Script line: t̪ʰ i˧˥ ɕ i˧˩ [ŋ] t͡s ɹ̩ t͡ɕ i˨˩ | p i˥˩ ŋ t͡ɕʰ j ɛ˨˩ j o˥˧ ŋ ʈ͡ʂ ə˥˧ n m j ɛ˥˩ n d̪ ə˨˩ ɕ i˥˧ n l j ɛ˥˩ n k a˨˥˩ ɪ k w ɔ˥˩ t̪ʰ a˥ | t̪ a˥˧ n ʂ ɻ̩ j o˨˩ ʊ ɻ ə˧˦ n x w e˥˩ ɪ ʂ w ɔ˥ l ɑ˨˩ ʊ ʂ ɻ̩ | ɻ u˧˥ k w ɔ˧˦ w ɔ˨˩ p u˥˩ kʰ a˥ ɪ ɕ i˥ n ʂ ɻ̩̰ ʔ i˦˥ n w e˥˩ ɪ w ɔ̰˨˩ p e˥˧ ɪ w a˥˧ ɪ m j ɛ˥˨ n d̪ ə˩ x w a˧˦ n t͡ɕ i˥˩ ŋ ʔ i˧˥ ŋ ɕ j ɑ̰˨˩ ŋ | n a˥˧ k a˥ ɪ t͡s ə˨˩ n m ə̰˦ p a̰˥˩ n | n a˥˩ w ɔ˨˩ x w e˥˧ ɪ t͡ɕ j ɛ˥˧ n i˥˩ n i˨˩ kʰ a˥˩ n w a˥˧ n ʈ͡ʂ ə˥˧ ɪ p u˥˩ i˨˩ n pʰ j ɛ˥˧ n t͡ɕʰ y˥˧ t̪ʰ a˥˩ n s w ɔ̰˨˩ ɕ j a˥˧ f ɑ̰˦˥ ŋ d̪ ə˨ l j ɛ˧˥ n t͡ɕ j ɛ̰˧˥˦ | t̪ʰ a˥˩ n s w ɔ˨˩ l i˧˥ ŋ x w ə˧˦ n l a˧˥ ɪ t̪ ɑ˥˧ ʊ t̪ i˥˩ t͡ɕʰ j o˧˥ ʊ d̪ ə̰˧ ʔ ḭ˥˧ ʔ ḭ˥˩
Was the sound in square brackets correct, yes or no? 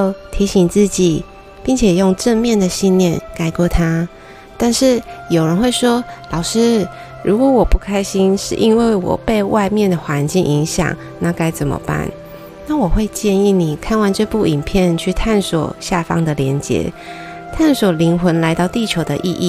yes